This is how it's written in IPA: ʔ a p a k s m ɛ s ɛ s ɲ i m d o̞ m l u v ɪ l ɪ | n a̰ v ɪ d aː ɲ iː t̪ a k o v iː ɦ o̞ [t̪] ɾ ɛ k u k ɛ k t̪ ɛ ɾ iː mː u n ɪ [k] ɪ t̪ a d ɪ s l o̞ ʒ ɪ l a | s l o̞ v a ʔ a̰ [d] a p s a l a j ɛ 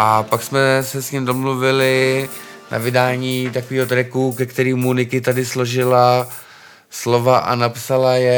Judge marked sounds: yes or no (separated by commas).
yes, yes, no